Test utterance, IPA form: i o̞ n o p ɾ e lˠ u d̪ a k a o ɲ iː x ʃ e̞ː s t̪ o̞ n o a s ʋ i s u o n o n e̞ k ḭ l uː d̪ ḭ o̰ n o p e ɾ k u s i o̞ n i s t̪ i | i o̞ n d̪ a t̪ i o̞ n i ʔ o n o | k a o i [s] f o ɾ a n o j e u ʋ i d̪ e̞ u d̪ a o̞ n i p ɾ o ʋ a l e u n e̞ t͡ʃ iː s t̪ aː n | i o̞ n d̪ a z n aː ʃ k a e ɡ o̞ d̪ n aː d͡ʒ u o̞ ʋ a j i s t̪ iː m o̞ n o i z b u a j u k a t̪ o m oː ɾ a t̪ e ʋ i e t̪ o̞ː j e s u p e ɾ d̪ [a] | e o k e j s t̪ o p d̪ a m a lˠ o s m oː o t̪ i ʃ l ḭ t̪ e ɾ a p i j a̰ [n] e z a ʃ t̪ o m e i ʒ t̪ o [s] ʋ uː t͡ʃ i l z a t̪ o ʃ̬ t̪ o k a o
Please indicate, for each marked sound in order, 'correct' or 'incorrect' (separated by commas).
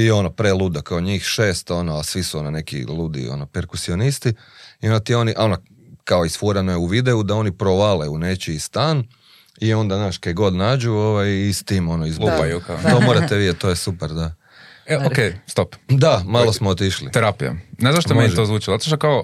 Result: correct, correct, correct, incorrect